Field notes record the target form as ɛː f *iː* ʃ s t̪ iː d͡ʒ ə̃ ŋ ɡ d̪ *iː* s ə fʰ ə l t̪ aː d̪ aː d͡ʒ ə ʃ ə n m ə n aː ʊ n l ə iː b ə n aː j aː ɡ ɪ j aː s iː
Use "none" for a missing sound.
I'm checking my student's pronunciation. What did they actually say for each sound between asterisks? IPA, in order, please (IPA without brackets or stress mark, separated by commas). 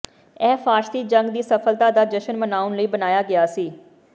aː, iː